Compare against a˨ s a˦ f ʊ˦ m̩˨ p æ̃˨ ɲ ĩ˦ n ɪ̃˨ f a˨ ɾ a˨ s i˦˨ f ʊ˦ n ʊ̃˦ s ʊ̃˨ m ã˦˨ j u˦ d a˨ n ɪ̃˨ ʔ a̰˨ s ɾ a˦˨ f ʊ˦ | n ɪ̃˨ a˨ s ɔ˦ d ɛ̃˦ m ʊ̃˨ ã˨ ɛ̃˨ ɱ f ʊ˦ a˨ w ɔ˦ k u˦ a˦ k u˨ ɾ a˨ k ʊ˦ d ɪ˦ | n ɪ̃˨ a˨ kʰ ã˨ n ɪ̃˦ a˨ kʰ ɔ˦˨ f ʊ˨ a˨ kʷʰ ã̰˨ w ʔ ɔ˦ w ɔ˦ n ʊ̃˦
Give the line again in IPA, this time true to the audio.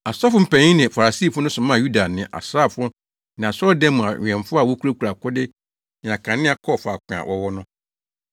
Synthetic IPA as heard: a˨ s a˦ f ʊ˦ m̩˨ p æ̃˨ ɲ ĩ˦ n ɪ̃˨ f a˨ ɾ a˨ s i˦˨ f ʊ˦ n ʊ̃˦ s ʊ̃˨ m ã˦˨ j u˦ d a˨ n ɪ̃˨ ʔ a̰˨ s ɾ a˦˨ f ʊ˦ | n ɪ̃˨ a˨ s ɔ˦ d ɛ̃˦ m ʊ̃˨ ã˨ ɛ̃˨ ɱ f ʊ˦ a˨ w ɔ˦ k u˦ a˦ k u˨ ɾ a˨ k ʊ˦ d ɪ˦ | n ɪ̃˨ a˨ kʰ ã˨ n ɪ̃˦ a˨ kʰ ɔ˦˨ f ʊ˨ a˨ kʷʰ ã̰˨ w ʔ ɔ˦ w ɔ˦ n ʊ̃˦